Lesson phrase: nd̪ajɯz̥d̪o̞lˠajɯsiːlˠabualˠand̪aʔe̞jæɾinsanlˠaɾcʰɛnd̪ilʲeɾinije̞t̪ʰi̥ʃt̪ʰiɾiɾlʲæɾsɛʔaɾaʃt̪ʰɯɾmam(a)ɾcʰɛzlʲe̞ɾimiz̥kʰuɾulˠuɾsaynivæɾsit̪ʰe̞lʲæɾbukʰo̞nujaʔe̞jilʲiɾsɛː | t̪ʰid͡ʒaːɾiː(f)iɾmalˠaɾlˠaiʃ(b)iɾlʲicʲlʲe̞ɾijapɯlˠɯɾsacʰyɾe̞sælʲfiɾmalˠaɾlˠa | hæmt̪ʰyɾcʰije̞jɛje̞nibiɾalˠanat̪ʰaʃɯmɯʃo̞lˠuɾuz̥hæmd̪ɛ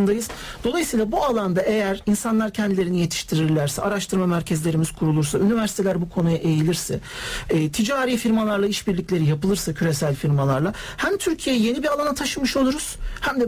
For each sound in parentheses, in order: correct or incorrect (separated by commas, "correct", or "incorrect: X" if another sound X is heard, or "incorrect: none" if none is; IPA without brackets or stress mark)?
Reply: incorrect: æ, correct, correct